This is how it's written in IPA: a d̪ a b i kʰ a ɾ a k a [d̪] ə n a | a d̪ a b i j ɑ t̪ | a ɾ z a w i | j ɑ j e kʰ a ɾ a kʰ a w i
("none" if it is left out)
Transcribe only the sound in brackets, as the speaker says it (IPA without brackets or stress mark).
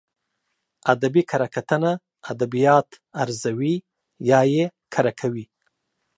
t̪